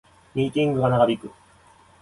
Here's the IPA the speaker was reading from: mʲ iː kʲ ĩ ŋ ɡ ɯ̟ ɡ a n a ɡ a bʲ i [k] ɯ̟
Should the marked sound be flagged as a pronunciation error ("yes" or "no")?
no